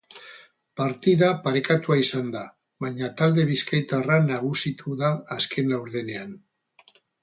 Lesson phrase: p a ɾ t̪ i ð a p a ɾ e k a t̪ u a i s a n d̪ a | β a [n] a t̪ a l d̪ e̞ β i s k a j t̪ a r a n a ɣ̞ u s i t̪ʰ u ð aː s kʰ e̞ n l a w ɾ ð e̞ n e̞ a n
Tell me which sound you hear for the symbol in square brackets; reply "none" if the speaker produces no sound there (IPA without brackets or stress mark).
ɲ